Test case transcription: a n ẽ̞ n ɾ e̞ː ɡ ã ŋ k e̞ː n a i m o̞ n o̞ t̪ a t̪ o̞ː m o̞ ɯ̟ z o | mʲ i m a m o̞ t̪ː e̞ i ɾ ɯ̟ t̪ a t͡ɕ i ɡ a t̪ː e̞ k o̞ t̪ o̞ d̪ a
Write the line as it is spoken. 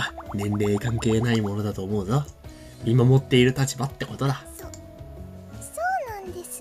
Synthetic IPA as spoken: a n ẽ̞ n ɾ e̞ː k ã ŋ k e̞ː n a i m o̞ n o̞ d̪ a t̪ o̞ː m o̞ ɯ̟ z o | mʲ i m a m o̞ t̪ː e̞ i ɾ ɯ̟ t̪ a t͡ɕ i b a t̪ː e̞ k o̞ t̪ o̞ d̪ a